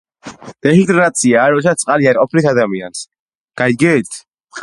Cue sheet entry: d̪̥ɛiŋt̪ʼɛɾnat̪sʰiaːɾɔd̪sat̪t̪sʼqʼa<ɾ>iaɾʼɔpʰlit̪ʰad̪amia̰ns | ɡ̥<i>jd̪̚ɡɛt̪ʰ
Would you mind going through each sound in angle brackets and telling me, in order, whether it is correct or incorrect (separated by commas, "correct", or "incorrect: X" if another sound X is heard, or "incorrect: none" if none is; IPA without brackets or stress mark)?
incorrect: l, incorrect: a